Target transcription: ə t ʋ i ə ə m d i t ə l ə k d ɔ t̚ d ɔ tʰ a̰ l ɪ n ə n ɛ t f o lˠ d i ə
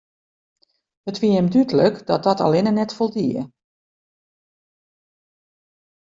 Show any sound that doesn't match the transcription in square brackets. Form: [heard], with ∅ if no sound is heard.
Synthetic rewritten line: ə t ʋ i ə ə m d [y] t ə l ə k d ɔ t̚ d ɔ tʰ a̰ l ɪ n ə n ɛ t f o lˠ d i ə